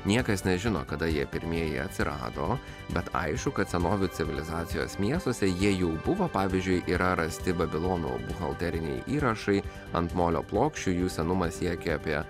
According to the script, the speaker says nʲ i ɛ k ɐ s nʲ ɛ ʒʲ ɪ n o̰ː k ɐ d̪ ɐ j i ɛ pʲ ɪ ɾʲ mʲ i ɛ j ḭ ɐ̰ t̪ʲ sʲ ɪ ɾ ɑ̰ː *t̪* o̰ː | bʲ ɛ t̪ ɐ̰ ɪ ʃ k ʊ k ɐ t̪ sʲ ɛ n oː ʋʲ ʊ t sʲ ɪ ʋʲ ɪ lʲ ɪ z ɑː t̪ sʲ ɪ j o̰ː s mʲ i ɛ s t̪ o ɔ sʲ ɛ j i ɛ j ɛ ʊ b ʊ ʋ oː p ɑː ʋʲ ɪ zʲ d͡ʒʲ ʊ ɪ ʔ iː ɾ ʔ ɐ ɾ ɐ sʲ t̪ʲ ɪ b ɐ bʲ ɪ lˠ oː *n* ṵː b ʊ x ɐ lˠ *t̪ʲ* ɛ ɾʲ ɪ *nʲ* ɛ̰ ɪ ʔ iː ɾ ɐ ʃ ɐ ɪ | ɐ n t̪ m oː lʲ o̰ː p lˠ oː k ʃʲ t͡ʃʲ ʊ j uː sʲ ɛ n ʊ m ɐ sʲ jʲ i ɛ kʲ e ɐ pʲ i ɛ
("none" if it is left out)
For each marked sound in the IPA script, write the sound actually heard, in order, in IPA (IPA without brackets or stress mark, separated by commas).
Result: d̪, n, t̪ʲ, nʲ